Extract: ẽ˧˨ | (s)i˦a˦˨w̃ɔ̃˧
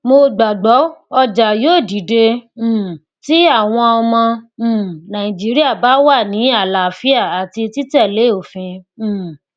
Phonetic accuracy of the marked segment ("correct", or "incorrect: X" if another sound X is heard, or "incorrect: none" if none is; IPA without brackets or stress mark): incorrect: t